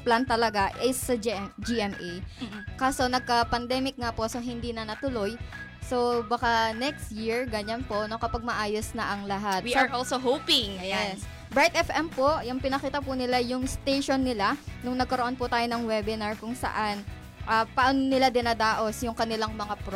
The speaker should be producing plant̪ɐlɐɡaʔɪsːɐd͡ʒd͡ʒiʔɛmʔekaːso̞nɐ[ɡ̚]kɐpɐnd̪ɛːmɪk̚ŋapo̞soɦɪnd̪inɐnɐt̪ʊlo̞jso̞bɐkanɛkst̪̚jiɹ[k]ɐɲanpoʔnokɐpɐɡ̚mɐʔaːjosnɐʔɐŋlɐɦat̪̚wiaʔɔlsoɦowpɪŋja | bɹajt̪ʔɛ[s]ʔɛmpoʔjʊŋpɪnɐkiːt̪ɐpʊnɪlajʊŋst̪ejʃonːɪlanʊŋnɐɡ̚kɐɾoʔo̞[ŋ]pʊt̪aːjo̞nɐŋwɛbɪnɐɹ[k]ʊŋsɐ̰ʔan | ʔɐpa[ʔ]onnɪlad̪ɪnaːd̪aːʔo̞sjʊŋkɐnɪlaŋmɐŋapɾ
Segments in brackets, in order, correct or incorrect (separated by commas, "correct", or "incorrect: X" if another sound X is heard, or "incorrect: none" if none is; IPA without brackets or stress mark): correct, incorrect: ɡ, incorrect: f, incorrect: n, correct, correct